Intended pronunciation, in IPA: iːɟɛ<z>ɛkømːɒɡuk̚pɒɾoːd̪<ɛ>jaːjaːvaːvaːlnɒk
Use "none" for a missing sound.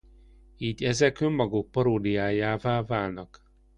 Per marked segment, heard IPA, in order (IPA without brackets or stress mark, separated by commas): z, i